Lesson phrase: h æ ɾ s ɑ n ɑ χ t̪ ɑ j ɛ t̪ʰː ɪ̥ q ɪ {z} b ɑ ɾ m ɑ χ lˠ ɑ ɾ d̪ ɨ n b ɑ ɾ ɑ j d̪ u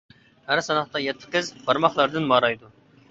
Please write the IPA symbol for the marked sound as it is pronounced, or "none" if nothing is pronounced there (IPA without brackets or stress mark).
z